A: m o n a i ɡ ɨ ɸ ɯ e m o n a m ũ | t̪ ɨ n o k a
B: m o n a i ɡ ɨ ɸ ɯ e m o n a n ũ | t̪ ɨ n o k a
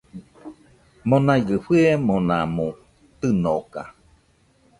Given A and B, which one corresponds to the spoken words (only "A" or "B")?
A